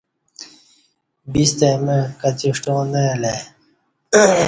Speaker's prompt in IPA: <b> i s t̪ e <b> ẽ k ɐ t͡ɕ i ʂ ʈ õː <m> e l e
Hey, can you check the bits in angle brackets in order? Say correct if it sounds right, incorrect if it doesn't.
correct, incorrect: m, incorrect: n

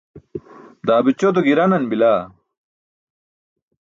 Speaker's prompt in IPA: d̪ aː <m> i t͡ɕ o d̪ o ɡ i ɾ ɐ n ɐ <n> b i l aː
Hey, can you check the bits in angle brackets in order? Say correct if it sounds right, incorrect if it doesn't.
incorrect: b, correct

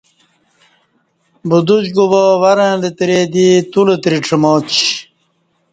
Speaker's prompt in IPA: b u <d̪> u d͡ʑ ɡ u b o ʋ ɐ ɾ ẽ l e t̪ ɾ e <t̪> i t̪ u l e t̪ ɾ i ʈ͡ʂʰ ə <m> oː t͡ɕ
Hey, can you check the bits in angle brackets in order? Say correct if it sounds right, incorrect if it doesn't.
correct, incorrect: d̪, correct

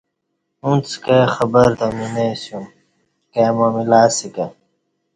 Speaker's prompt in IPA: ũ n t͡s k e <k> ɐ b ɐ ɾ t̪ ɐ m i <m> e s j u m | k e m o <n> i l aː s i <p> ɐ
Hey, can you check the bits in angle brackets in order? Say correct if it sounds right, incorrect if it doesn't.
incorrect: x, incorrect: n, incorrect: m, incorrect: k

